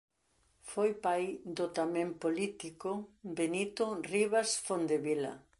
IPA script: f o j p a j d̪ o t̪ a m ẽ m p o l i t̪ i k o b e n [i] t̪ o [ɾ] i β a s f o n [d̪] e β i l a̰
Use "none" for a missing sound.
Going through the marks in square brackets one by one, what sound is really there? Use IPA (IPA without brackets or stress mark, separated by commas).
i, r, d̪